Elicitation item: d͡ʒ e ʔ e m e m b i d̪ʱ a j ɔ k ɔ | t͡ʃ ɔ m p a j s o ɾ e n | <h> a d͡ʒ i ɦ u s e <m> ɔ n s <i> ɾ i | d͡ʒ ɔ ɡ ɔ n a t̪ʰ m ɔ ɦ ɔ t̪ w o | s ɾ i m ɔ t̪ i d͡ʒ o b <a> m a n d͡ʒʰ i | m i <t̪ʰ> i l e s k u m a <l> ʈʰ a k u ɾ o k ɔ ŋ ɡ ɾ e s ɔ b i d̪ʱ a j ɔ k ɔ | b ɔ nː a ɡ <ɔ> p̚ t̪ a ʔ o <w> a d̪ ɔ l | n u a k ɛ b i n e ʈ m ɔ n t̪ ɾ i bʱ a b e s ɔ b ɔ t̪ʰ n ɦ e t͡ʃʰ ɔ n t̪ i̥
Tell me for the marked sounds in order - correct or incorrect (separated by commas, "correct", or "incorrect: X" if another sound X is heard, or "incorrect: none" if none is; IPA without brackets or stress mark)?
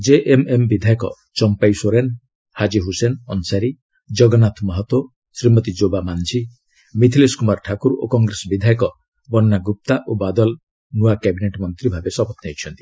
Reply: correct, incorrect: n, incorrect: a, correct, correct, incorrect: ɾ, incorrect: u, incorrect: b